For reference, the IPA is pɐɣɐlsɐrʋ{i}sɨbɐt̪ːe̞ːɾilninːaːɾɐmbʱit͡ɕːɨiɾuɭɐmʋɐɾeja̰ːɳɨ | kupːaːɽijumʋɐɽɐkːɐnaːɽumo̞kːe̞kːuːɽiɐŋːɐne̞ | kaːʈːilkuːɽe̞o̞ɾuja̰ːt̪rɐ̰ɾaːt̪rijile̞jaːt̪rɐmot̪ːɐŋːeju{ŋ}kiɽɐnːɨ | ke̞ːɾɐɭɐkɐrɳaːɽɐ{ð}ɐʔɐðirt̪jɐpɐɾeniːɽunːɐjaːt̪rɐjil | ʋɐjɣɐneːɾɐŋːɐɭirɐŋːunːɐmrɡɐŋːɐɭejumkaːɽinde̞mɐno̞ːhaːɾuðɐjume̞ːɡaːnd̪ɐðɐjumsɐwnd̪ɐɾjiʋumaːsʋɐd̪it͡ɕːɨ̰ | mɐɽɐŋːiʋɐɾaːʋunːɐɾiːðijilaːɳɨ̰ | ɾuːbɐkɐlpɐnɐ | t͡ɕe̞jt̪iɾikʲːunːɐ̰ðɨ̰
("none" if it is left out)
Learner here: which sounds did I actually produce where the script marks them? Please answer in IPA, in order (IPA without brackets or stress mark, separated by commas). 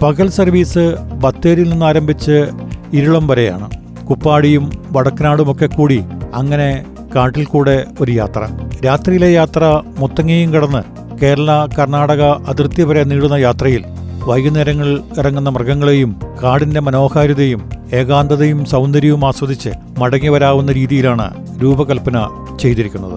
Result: iː, m, ɣ